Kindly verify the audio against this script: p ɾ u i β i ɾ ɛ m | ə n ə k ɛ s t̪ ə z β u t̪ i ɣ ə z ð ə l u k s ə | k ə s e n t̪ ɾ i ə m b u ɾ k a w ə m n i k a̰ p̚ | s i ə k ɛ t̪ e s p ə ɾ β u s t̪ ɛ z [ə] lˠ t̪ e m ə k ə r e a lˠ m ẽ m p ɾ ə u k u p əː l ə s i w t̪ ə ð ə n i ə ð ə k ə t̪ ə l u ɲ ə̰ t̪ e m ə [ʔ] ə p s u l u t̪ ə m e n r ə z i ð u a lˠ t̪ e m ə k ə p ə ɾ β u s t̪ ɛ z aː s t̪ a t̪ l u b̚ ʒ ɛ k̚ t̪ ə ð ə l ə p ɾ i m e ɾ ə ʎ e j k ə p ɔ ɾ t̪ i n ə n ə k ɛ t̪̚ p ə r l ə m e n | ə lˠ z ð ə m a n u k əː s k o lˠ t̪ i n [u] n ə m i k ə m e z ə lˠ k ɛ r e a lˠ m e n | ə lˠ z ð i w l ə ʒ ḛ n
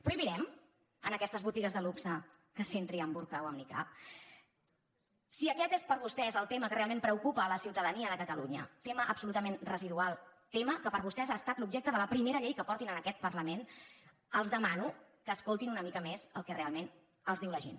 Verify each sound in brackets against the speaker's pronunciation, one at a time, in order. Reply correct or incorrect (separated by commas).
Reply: correct, correct, correct